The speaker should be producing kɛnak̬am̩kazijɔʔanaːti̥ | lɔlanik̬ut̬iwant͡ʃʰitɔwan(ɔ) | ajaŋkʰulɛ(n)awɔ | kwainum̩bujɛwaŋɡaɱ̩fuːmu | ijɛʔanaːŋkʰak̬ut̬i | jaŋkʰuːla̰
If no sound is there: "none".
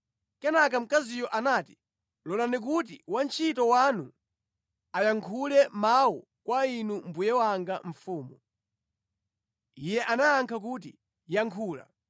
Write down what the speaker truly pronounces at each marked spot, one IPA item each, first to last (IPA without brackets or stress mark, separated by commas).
u, m